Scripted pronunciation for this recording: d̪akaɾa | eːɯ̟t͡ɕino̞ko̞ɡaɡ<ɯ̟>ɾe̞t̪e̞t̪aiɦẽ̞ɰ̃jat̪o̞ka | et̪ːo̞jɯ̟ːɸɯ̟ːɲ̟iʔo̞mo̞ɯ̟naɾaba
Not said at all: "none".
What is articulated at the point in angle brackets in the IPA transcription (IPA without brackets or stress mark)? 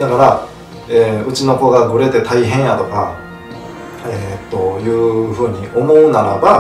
ɯ̟